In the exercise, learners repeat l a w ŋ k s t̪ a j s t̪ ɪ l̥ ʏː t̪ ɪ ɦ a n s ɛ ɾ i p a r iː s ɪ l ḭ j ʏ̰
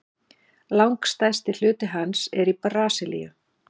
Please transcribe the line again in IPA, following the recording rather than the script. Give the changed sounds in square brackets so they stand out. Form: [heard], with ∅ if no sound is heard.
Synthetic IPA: l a w ŋ k s t̪ a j s t̪ ɪ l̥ ʏː t̪ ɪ ɦ a n s ɛ ɾ i p a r [aː] s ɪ l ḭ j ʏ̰